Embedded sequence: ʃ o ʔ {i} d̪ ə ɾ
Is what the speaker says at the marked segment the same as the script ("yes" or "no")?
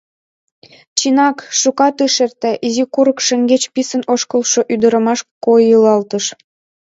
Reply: no